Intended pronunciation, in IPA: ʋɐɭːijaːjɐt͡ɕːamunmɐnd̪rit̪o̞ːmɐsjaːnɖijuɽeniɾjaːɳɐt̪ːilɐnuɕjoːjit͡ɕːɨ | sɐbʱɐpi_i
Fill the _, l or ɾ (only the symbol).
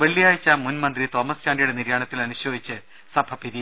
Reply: ɾ